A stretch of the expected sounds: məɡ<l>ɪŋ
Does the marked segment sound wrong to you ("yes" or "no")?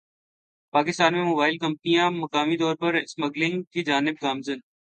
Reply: no